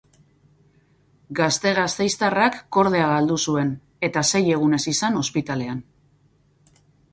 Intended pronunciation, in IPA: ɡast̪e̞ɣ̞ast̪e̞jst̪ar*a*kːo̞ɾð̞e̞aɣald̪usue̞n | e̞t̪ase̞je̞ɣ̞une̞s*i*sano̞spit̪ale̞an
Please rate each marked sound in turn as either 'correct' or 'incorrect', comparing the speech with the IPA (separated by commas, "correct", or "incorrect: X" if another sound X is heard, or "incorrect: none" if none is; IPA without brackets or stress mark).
correct, correct